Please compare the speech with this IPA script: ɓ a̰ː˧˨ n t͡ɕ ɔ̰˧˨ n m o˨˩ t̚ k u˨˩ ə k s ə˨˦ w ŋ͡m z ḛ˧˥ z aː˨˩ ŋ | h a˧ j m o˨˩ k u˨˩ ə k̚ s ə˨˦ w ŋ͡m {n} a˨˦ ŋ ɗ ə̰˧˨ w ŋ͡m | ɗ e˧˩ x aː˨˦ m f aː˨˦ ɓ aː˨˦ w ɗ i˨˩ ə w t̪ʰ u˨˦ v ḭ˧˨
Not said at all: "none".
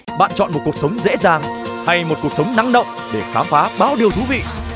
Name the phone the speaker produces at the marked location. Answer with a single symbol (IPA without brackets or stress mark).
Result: n